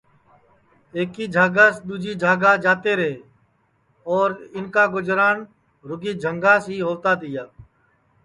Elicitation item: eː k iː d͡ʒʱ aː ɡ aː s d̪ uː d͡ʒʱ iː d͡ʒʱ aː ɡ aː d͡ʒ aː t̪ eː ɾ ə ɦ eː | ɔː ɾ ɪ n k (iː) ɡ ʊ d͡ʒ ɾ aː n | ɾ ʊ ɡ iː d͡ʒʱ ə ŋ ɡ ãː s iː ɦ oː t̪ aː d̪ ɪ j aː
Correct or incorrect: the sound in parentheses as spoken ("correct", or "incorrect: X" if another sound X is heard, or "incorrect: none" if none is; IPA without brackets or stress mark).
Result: incorrect: aː